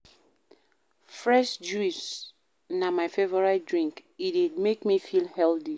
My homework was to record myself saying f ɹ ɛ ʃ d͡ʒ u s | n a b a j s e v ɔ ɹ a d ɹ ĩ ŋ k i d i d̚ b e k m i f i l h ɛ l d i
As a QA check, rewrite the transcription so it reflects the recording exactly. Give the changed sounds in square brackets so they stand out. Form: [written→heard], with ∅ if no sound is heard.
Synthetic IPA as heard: f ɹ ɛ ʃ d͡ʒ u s | n a [b→m] a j [s→f] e v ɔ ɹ a d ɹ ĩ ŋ k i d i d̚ [b→m] e k m i f i l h ɛ l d i